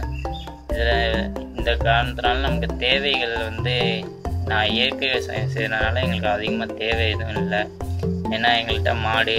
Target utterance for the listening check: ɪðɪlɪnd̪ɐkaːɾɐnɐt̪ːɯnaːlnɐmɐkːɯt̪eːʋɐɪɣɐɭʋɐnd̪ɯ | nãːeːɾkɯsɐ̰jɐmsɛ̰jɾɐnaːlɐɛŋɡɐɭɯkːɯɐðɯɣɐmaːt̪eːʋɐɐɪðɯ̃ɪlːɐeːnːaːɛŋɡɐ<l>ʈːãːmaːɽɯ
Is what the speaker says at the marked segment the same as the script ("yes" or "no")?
no